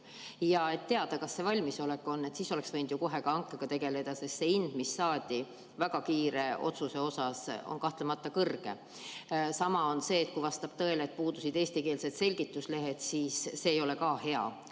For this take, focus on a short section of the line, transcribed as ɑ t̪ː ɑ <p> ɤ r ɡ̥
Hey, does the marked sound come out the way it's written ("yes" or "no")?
no